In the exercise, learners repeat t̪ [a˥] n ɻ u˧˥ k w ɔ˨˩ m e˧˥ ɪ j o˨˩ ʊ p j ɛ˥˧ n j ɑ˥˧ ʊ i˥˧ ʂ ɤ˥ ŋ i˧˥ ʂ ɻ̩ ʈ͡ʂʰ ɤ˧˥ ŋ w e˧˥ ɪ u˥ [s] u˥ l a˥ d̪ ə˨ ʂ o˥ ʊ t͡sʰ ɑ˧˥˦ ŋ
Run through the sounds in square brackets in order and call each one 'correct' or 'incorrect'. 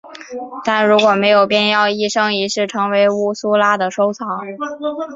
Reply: incorrect: a˥˩, correct

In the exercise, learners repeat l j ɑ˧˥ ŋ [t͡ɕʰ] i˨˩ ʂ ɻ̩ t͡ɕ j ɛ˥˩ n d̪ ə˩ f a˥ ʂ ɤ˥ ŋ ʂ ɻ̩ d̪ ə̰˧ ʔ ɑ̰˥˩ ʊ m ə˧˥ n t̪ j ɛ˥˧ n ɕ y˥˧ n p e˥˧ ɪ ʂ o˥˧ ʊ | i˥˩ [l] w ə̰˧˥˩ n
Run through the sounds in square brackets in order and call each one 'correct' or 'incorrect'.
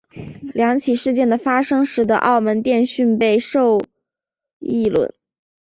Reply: correct, correct

